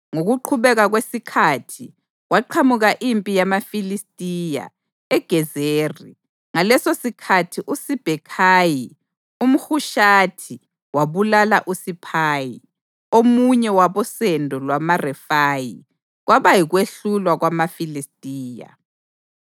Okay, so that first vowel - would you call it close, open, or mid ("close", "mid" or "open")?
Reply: mid